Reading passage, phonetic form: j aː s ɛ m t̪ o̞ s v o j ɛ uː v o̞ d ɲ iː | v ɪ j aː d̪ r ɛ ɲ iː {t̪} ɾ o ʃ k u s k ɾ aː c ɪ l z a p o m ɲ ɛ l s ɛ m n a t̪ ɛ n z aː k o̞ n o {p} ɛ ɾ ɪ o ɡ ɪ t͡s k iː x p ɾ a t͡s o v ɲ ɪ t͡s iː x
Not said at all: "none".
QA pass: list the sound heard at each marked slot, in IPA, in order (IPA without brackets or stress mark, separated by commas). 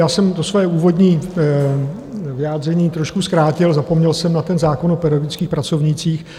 t̪, p